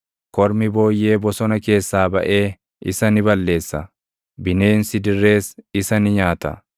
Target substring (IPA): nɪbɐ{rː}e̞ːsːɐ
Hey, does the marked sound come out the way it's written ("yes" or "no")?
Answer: no